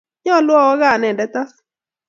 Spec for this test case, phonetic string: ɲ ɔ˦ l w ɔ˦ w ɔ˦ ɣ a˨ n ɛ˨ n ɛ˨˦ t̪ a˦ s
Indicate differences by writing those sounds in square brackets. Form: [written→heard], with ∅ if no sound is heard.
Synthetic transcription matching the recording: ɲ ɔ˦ l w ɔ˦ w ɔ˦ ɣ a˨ n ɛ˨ [n→d] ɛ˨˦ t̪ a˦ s